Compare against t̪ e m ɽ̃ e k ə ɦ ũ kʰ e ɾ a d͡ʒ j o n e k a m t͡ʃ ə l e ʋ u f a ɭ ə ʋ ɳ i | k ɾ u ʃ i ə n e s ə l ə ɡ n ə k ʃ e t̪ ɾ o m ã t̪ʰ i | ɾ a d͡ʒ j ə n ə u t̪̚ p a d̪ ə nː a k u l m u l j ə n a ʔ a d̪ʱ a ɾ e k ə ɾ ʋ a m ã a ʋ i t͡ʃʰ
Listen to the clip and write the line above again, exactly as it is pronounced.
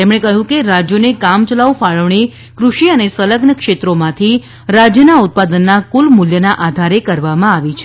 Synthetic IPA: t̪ e m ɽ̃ e k ə ɦ ũ k e ɾ a d͡ʒ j o n e k a m t͡ʃ ə l a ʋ u f a ɭ ə ʋ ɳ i | k ɾ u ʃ i ə n e s ə l ə ɡ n ə k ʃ e t̪ ɾ o m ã t̪ʰ i | ɾ a d͡ʒ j ə n a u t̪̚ p a d̪ ə nː a k u l m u l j ə n a ʔ a d̪ʱ a ɾ e k ə ɾ ʋ a m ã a ʋ i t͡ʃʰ